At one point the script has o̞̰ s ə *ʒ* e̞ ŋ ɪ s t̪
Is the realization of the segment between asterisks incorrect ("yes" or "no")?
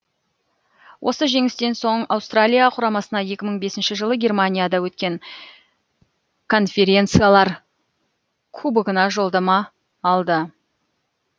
no